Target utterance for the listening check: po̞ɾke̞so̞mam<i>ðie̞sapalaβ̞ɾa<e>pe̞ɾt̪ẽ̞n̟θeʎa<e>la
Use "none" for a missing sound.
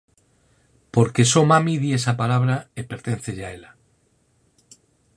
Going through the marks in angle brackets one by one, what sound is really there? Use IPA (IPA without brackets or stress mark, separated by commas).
i, e, e